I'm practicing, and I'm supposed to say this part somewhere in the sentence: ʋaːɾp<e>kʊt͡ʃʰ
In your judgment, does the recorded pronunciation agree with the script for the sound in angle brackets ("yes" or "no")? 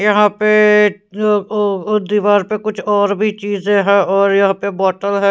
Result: yes